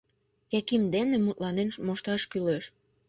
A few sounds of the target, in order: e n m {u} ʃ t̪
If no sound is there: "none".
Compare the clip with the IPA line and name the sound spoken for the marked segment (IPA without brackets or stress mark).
o